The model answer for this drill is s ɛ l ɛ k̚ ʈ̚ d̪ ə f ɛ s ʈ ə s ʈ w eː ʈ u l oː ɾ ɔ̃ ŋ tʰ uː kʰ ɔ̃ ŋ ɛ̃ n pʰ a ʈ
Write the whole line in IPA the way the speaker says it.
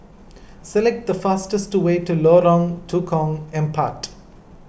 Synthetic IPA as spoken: s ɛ l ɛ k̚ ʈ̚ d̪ ə f a s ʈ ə s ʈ w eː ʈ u l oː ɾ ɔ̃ ŋ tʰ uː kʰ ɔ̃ ŋ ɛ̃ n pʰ a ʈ